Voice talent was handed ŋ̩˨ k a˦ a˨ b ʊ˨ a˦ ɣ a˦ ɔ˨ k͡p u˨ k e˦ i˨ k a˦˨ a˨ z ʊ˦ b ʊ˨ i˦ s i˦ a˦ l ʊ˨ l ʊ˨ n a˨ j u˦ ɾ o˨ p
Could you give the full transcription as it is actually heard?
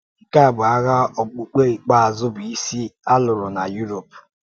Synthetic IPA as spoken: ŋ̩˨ k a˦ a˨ b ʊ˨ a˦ ɣ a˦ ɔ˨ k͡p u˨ k͡p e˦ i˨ k͡p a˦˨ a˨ z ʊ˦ b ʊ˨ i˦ s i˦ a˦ l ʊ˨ ɾ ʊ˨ n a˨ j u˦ ɾ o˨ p